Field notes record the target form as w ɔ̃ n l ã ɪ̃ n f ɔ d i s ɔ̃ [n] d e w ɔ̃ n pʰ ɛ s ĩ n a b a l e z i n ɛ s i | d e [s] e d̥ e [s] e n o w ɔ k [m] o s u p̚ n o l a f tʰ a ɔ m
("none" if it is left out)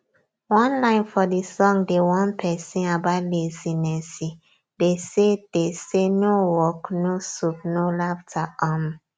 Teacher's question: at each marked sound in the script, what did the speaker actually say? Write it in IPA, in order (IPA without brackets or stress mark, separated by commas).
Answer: ŋ, s, s, n